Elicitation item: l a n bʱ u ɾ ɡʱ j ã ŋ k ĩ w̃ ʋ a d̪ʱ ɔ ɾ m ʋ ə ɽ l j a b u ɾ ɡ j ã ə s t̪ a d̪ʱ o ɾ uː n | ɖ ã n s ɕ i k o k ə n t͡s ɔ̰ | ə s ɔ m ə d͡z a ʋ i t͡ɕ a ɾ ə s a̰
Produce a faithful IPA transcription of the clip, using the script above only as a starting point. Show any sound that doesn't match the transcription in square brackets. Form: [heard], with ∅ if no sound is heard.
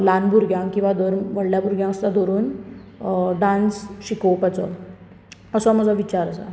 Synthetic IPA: l a n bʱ u ɾ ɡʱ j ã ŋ k ĩ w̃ ʋ a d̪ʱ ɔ ɾ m ʋ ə ɽ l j a b u ɾ ɡ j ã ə s t̪ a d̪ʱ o ɾ uː n | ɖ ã n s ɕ i k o [p] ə [∅] t͡s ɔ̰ | ə s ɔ m ə d͡z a ʋ i t͡ɕ a ɾ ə s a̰